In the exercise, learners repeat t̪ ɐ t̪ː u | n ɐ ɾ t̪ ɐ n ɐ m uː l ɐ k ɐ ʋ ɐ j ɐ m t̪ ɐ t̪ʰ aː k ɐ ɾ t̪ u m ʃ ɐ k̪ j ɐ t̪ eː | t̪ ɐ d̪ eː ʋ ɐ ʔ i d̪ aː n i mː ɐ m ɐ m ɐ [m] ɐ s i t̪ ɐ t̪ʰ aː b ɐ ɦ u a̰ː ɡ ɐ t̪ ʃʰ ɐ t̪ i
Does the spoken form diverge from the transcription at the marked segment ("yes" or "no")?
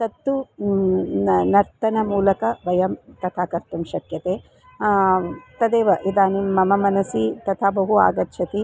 yes